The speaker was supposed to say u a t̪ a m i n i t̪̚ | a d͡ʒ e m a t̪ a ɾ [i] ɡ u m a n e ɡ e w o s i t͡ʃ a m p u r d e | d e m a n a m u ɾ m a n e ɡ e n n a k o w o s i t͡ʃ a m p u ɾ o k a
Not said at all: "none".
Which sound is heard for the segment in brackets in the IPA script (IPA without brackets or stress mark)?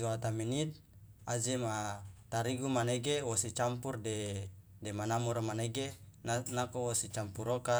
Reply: i